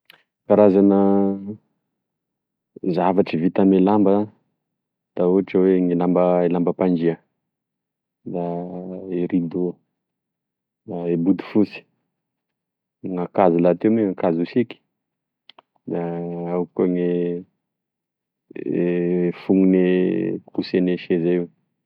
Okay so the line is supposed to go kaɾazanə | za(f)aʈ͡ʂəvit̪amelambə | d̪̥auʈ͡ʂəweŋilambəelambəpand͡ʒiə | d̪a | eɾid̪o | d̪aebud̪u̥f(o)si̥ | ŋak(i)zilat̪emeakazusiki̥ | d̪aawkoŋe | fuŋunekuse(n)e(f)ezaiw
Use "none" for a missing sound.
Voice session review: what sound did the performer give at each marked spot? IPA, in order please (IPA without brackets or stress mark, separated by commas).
v, u, a, n, ʃ